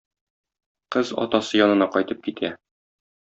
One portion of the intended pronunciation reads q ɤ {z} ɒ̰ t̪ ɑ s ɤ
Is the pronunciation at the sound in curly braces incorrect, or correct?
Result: correct